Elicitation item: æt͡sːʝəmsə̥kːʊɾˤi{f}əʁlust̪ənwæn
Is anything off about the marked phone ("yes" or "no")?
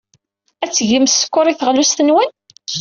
yes